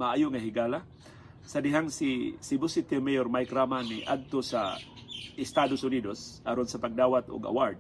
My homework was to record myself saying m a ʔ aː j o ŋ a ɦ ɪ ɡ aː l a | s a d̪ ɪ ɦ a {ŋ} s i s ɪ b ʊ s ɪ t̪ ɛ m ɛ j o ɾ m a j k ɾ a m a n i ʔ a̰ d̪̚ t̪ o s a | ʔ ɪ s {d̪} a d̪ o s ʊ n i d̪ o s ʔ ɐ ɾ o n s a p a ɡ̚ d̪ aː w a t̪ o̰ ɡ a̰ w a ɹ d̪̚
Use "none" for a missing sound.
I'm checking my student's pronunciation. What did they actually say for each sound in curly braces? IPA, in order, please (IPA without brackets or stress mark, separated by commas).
ŋ, t̪